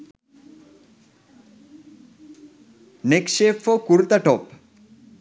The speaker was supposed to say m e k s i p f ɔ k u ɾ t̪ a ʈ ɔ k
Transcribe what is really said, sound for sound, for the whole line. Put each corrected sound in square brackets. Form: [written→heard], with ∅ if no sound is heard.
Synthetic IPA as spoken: [m→n] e k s [i→e] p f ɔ k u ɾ t̪ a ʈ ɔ [k→p]